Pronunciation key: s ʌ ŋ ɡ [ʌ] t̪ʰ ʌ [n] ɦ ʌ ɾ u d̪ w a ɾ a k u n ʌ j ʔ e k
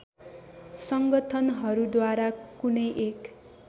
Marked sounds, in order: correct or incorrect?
correct, correct

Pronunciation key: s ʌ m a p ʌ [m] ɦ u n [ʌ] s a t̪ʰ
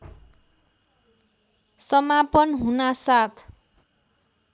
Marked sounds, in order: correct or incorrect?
incorrect, incorrect

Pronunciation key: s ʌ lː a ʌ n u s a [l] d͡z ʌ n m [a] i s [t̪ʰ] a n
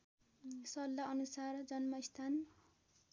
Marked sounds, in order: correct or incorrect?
incorrect, incorrect, correct

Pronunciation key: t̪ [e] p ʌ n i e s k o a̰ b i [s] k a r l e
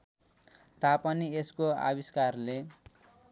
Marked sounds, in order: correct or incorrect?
incorrect, correct

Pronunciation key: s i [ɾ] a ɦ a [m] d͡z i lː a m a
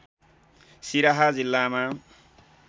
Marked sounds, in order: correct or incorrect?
correct, incorrect

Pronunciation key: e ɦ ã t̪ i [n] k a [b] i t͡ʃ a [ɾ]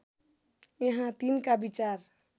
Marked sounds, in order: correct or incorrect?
correct, correct, correct

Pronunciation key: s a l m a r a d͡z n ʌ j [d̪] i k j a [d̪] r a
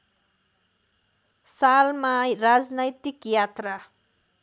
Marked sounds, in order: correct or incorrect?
incorrect, incorrect

